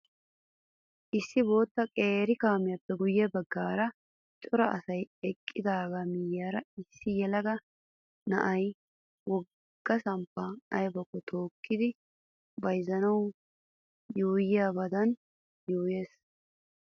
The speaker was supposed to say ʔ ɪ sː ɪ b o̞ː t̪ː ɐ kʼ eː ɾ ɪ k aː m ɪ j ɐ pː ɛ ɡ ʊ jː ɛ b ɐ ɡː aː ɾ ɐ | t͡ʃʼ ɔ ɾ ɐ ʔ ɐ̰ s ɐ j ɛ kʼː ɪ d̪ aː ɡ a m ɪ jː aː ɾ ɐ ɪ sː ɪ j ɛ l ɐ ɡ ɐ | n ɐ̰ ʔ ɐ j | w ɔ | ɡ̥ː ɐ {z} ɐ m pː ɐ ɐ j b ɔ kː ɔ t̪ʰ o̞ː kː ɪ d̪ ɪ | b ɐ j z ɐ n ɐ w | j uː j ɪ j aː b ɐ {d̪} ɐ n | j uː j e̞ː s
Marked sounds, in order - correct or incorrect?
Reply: incorrect: s, correct

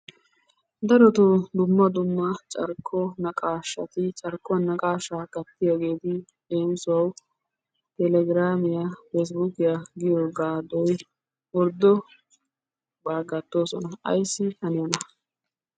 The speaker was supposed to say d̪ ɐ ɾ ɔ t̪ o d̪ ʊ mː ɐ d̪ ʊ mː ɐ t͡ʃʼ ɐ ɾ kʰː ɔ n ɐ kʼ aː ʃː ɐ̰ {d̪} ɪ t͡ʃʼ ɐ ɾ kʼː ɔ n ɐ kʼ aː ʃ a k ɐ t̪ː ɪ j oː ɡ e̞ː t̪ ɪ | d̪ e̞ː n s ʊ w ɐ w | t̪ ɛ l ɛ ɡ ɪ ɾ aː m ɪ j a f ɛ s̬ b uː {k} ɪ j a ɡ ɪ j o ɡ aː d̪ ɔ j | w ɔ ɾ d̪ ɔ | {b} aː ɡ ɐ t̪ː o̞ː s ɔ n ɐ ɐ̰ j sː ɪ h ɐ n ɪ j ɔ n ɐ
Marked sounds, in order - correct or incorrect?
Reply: incorrect: t̪, correct, correct

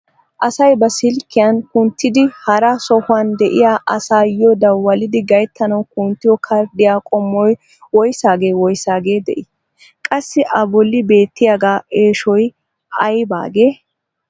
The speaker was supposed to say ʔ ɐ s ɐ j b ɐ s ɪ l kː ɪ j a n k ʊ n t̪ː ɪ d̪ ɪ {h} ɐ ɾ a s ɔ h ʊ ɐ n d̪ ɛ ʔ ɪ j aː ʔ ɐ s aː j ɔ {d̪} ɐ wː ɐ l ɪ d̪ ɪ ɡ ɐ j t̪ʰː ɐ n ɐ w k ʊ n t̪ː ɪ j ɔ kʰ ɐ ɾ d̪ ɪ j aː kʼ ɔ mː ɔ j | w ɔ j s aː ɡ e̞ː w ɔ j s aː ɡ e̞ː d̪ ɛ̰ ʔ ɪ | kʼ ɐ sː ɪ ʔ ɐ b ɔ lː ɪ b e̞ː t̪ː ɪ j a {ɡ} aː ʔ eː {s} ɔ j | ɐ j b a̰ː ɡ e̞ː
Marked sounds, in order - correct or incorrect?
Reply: correct, correct, correct, incorrect: ʃ

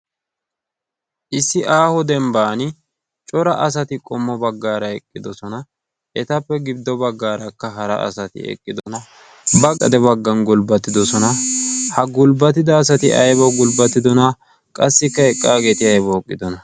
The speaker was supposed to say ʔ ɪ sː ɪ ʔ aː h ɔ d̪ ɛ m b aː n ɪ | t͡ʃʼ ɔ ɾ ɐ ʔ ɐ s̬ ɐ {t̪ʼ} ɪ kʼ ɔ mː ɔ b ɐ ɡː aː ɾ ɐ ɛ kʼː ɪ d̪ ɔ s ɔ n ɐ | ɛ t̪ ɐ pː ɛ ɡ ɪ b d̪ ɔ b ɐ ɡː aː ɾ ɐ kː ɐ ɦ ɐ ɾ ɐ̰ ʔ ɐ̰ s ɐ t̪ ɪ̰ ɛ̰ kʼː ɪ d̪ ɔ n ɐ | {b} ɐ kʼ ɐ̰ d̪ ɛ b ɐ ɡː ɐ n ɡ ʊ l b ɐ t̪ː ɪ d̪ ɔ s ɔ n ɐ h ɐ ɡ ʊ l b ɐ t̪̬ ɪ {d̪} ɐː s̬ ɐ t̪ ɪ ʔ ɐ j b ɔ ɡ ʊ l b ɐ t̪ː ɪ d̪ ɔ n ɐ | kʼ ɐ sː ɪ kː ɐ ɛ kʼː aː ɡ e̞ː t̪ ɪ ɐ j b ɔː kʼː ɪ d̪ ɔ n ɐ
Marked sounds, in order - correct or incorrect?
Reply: incorrect: t̪, correct, correct

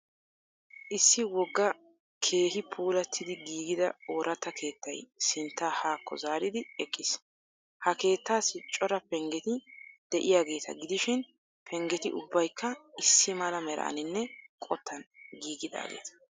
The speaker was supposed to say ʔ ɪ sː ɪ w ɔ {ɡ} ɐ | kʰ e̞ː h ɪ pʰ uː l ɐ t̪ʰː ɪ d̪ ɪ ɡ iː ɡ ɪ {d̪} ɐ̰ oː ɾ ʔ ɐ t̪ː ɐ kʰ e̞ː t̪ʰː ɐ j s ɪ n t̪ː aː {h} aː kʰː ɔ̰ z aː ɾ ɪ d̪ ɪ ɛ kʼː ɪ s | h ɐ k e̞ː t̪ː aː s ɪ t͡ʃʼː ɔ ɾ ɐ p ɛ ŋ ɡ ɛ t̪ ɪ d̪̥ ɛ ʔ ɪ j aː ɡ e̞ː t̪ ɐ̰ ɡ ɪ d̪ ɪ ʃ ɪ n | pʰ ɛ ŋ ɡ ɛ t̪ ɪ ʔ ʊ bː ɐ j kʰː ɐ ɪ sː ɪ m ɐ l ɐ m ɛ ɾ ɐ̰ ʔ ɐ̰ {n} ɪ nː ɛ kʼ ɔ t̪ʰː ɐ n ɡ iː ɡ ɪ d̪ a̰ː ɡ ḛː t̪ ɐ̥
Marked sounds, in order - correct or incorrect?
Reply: incorrect: ɡː, correct, correct, correct

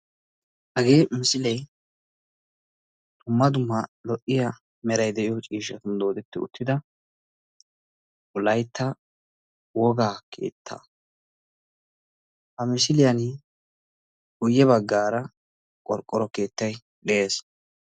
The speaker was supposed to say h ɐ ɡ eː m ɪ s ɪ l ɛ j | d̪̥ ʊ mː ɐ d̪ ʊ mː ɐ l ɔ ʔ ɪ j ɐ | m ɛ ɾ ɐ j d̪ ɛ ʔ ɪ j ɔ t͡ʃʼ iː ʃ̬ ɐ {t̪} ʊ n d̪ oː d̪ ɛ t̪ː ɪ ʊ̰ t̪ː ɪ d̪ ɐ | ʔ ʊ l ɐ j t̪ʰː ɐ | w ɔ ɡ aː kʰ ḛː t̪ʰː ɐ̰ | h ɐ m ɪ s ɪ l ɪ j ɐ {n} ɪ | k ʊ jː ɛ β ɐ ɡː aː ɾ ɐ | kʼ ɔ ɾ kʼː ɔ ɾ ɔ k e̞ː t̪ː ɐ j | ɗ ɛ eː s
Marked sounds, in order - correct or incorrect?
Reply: correct, correct

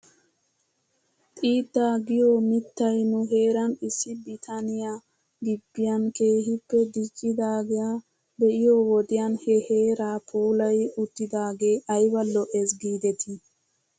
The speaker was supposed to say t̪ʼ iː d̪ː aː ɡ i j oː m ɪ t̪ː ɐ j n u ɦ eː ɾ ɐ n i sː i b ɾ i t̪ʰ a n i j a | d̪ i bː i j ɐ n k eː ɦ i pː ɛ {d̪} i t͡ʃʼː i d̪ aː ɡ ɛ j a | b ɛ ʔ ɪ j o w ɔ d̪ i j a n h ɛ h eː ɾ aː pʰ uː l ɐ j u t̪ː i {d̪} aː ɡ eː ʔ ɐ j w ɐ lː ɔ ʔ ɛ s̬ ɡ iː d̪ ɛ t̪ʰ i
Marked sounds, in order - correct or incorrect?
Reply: correct, correct

